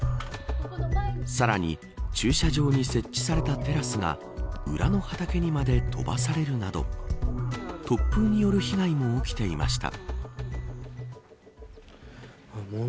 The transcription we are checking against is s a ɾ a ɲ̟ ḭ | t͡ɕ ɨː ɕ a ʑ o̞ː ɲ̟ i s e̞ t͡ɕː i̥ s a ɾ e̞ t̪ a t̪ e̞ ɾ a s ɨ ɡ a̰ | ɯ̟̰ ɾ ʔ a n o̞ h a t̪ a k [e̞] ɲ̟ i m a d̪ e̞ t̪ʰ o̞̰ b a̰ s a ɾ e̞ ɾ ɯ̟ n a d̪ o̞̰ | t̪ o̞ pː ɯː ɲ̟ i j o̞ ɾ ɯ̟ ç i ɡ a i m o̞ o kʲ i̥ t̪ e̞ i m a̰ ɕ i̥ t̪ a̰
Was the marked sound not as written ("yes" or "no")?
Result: no